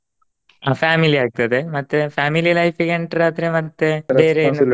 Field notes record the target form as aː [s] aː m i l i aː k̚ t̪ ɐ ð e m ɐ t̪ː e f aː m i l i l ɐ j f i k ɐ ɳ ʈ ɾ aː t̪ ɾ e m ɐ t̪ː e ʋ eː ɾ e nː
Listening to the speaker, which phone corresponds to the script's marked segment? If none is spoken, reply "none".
f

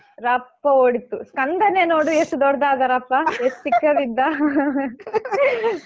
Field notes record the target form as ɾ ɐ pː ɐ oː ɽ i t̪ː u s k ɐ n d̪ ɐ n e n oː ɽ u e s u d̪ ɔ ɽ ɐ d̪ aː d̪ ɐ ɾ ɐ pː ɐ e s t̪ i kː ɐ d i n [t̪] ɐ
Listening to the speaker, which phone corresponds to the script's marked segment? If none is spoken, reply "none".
d̪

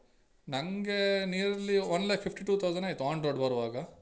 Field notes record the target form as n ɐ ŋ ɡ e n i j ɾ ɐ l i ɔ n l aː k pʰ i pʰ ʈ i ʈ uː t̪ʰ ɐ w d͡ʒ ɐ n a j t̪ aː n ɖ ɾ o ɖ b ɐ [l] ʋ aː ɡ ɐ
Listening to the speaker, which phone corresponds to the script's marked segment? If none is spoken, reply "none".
ɾ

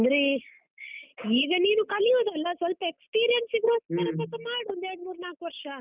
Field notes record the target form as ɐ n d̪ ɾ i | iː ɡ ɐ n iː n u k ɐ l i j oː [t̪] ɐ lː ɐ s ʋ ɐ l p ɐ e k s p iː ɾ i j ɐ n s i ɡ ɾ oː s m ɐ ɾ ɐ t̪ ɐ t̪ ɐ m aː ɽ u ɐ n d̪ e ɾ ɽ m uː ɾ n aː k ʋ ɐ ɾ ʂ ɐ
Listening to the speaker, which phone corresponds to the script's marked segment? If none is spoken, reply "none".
d̪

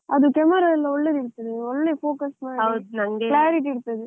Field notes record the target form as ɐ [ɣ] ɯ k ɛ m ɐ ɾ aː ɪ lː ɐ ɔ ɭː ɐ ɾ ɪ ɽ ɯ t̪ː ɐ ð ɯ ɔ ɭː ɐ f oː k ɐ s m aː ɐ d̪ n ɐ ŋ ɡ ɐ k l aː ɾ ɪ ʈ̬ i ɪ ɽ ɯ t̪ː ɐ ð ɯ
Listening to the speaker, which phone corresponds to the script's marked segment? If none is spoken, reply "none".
ð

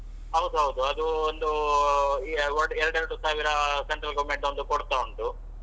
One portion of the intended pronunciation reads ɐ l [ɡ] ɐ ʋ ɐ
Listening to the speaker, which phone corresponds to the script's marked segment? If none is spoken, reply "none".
ɡ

